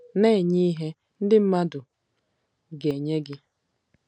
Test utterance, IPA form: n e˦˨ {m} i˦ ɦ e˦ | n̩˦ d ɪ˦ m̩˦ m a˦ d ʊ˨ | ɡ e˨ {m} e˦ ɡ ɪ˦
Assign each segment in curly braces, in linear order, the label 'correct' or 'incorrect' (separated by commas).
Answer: incorrect, incorrect